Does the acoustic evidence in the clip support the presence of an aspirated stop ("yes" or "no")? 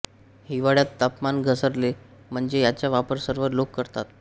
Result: no